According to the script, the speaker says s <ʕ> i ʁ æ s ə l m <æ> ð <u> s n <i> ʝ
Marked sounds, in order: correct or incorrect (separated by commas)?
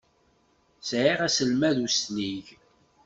correct, correct, correct, correct